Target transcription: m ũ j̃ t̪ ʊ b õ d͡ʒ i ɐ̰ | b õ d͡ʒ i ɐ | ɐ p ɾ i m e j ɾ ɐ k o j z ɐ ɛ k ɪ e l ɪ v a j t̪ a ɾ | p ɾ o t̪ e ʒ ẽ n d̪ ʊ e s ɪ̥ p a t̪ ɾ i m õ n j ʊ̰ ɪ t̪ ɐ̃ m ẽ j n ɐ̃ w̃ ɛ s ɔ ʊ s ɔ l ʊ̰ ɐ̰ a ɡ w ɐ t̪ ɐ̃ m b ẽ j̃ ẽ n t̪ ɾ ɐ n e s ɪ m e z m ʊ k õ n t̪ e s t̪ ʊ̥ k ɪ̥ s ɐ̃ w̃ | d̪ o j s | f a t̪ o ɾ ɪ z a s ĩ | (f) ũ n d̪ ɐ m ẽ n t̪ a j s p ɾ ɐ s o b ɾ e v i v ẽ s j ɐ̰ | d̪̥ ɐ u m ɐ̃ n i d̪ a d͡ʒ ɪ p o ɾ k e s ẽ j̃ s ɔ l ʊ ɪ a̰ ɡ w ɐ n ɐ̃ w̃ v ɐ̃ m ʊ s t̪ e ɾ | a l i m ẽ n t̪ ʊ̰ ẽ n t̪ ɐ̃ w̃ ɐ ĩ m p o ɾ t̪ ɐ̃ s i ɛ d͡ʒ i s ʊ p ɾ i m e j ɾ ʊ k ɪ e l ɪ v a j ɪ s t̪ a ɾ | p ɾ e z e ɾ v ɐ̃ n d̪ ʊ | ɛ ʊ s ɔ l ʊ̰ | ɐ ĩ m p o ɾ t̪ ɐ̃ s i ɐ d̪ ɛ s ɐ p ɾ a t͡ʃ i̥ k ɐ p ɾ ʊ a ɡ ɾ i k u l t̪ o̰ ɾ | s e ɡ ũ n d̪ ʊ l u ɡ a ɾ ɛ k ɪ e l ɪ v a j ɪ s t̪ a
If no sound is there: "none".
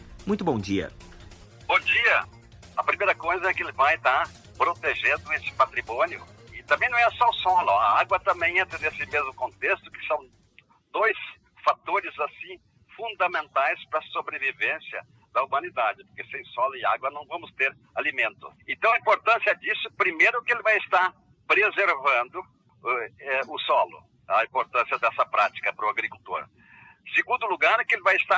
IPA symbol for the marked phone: f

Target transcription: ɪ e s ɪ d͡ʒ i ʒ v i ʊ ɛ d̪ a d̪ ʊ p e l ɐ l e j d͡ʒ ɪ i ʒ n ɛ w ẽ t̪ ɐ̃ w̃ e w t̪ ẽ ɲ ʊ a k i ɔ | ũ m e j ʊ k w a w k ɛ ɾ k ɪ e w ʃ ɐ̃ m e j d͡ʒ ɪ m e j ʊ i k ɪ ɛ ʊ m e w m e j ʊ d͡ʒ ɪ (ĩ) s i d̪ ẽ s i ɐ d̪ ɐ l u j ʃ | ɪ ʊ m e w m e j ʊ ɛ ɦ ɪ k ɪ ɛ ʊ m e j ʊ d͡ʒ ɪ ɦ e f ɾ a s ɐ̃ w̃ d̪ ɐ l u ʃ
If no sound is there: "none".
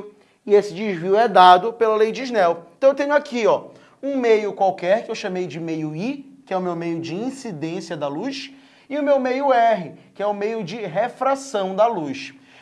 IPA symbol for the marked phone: ĩ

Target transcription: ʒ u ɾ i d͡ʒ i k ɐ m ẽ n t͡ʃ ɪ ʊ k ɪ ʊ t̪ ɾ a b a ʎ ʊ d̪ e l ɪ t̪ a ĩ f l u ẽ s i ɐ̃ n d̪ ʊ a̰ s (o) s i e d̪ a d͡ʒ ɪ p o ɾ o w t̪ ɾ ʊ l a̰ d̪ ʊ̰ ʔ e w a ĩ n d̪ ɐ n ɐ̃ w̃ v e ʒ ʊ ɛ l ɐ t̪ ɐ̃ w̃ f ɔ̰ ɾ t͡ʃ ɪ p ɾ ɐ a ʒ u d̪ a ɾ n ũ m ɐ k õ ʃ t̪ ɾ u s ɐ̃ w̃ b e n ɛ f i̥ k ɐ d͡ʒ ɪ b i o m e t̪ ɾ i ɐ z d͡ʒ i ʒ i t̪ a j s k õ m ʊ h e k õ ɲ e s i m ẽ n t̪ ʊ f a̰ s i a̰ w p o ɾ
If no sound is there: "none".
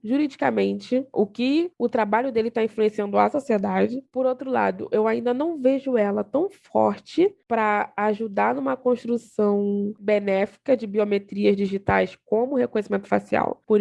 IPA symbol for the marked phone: o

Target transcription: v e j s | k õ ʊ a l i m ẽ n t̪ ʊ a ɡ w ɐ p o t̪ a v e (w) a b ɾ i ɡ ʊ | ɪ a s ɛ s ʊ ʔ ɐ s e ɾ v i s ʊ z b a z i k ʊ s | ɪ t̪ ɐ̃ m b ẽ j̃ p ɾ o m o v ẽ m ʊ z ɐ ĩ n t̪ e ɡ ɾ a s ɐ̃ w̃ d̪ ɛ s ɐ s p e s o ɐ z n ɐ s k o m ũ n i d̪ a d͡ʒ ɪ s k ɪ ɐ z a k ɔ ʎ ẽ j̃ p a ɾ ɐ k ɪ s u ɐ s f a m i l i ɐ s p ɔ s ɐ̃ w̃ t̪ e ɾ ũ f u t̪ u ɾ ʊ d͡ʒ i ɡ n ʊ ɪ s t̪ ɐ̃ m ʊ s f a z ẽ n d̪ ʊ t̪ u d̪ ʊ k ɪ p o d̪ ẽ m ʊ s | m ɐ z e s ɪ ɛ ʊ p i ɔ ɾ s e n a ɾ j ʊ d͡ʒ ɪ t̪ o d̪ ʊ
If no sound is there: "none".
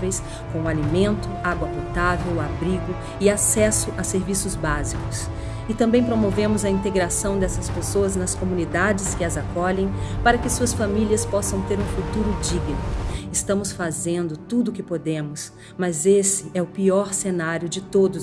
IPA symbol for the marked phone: w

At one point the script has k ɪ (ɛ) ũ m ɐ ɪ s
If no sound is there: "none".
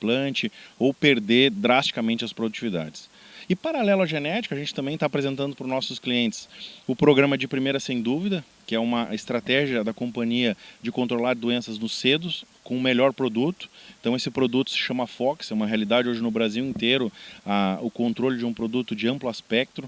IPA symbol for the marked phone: ɛ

